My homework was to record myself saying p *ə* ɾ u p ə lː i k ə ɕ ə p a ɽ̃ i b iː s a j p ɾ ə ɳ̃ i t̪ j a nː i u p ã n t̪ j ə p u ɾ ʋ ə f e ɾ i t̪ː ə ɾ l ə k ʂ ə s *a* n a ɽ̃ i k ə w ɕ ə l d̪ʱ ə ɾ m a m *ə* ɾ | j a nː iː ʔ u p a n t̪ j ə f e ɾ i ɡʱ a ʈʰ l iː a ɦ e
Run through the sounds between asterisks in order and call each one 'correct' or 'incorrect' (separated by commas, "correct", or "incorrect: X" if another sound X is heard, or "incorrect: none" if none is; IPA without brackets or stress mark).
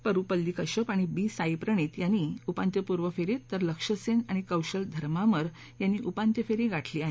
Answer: correct, incorrect: e, correct